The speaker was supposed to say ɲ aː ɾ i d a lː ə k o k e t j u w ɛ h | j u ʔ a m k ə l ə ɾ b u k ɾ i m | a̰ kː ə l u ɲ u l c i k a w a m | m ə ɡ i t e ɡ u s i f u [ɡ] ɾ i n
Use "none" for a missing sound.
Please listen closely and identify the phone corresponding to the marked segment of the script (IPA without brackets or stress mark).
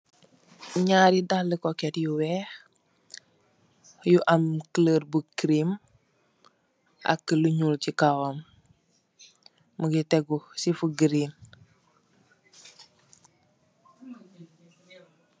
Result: ɡ